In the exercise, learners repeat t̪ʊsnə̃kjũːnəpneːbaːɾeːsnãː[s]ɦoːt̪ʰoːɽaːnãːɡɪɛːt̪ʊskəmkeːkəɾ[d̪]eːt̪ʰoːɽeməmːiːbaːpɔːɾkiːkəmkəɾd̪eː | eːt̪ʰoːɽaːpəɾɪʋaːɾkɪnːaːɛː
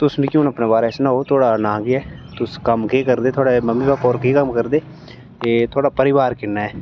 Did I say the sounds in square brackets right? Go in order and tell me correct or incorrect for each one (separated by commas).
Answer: incorrect, correct